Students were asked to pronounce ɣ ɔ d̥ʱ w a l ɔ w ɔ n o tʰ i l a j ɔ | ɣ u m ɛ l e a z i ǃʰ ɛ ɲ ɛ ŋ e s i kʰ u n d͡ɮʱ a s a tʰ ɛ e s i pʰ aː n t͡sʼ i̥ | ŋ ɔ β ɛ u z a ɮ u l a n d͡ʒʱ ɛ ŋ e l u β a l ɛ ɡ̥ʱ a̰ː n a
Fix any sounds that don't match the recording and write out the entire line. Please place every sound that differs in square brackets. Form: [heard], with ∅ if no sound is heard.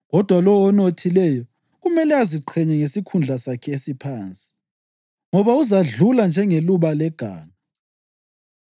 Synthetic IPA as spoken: ɣ ɔ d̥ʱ w a l ɔ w ɔ n o tʰ i l [ɛ] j ɔ | ɣ u m ɛ l [ɛ] a z i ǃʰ ɛ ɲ ɛ ŋ e s i kʰ u n d͡ɮʱ a s a [kʰ] ɛ e s i pʰ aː n t͡sʼ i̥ | ŋ ɔ β [a] u z a ɮ u l a n d͡ʒʱ ɛ ŋ e l u β a l ɛ ɡ̥ʱ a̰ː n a